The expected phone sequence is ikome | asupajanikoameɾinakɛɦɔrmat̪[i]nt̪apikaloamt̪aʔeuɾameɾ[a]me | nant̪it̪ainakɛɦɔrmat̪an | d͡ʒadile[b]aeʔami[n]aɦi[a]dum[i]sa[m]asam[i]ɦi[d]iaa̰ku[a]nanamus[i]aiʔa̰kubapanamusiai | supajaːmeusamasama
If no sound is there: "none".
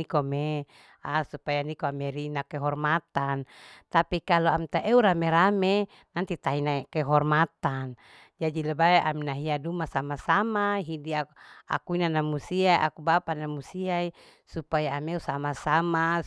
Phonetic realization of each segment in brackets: a, a, b, n, a, a, m, a, d, i, i

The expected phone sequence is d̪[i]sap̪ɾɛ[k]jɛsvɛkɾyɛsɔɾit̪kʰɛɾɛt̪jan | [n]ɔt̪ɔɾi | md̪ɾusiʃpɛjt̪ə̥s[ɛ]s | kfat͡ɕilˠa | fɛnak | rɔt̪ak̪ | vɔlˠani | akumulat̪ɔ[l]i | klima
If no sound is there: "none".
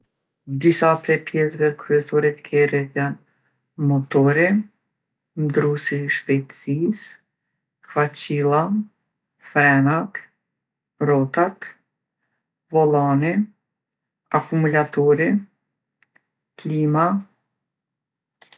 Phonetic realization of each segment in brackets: i, p, m, i, ɾ

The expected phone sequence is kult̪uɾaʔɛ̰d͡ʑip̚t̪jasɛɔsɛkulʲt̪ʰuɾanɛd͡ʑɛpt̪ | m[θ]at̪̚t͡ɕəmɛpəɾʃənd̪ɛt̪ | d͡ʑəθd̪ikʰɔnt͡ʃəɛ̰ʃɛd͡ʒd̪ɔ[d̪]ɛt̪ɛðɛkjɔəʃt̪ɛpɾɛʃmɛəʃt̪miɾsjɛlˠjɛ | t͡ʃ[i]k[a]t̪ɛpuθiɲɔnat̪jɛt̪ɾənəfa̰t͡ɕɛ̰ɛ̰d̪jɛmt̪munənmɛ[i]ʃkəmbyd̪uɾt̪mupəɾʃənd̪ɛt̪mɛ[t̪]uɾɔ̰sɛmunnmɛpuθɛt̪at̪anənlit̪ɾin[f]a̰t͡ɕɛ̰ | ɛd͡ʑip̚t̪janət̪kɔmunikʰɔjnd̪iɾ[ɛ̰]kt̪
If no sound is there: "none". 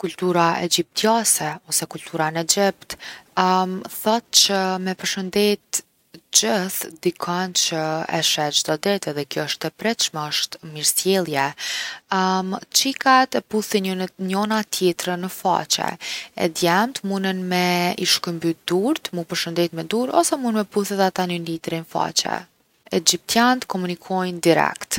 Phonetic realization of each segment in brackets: θ, d̪, i, a, i, d̪, f, ɛ̰

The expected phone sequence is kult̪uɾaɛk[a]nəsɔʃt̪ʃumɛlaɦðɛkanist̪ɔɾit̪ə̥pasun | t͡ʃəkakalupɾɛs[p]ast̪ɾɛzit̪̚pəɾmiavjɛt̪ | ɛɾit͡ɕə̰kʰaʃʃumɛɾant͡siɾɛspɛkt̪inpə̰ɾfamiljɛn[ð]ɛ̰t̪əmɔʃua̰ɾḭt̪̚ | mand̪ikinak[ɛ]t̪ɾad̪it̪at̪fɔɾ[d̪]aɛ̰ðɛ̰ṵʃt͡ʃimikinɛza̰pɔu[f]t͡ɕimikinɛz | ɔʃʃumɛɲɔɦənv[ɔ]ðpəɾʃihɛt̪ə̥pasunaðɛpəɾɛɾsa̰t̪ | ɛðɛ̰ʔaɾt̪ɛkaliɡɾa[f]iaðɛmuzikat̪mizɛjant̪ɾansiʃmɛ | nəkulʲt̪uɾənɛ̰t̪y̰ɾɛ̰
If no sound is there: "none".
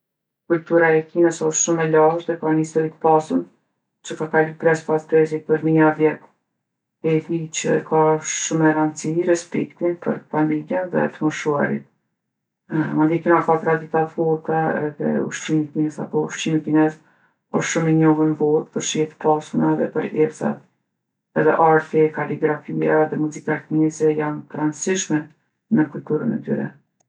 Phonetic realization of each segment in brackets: i, p, ð, a, t̪, ʃ, ɔ, f

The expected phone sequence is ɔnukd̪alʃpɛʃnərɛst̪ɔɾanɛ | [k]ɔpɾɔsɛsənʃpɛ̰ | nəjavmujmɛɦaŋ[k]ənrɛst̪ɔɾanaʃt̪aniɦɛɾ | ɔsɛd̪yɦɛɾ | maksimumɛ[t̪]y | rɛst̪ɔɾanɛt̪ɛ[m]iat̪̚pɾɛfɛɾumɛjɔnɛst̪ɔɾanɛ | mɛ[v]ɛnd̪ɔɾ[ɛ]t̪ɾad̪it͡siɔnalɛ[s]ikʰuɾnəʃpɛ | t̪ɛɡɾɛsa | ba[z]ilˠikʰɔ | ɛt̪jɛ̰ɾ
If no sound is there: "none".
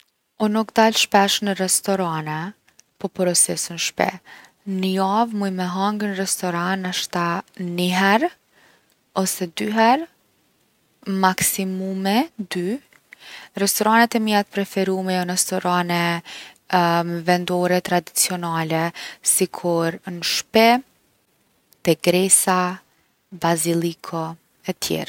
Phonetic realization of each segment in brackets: p, ɡ, d̪, m, v, ɛ, s, z

